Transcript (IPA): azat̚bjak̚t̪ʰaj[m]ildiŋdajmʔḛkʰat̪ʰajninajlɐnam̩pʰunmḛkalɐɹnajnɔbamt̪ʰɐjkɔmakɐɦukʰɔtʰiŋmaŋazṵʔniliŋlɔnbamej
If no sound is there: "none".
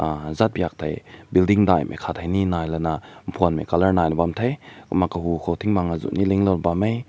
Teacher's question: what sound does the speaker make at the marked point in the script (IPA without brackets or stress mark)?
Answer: b